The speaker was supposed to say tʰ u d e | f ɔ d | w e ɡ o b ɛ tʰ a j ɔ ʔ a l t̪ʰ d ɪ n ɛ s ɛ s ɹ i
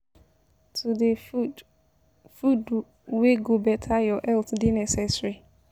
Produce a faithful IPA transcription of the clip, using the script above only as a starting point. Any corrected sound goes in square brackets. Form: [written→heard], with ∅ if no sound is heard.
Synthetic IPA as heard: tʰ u d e | f [ɔ→u] d | w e ɡ o b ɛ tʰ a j ɔ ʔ [a→ɛ] l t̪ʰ d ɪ n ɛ s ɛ s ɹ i